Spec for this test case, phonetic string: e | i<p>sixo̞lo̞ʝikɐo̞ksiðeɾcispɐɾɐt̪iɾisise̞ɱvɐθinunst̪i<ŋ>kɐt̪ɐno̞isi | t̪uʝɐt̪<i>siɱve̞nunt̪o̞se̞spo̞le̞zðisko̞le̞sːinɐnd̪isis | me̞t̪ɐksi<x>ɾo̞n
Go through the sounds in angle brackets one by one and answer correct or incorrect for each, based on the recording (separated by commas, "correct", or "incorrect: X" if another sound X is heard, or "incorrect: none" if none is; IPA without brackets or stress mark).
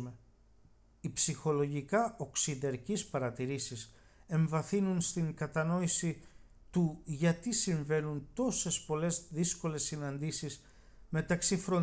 correct, correct, correct, incorrect: f